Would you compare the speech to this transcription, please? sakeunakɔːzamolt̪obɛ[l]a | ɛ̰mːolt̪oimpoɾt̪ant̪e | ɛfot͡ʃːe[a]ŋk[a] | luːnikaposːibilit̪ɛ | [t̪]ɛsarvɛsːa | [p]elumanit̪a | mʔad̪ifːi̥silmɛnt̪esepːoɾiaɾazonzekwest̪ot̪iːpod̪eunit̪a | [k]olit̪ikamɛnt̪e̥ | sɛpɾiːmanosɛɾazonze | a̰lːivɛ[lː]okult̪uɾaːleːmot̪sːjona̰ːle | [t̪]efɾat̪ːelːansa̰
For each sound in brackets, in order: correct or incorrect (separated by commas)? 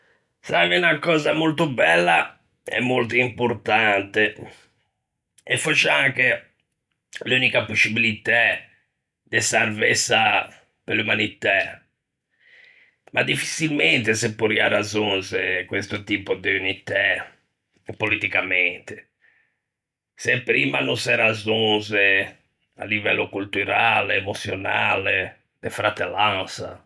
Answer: incorrect, correct, incorrect, incorrect, correct, incorrect, correct, incorrect